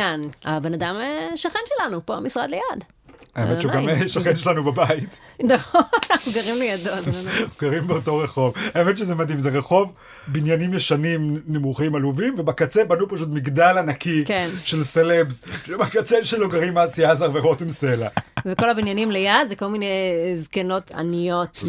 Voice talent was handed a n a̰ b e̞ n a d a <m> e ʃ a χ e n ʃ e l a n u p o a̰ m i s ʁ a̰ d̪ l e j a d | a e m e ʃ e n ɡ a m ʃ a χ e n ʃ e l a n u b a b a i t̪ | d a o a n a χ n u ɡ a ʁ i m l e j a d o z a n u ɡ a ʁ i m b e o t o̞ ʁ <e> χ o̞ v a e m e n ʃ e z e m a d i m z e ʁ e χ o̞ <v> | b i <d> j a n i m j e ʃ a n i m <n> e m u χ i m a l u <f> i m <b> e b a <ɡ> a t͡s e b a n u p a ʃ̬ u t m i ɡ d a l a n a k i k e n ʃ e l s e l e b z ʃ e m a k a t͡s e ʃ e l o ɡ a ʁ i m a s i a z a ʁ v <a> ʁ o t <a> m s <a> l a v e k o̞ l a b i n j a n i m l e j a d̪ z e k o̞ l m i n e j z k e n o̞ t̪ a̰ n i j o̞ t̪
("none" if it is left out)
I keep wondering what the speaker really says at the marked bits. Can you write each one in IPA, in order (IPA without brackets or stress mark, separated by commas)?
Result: m, e, v, n, n, v, v, k, e, i, e